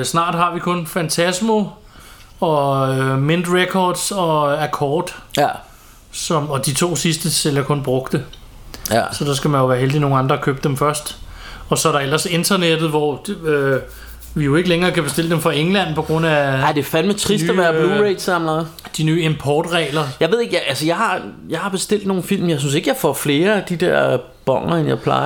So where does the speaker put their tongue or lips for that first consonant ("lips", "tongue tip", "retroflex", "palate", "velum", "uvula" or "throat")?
tongue tip